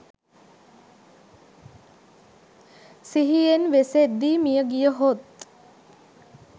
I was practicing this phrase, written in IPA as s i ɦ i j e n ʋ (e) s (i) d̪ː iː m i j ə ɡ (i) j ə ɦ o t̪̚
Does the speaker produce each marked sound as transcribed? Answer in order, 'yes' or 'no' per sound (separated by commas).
yes, no, yes